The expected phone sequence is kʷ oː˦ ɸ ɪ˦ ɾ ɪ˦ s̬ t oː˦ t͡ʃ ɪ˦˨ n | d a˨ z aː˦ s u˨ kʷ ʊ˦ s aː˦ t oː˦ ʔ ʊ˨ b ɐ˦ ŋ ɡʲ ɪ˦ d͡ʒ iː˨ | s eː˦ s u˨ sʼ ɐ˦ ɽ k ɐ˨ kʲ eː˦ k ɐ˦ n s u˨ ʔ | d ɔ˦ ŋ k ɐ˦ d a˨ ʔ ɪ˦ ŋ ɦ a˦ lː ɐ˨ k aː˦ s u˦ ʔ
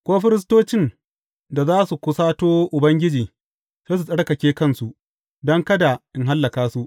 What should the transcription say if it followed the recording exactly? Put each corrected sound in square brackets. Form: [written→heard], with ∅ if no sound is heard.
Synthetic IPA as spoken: kʷ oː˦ ɸ ɪ˦ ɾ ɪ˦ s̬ t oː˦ t͡ʃ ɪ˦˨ n | d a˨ z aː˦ s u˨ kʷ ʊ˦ s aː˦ t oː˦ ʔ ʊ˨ b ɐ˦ ŋ ɡʲ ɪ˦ d͡ʒ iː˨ | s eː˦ s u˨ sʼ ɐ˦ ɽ k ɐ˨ kʲ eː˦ k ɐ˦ n s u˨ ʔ | d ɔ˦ ŋ k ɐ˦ d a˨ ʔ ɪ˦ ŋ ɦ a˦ lː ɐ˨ k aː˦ s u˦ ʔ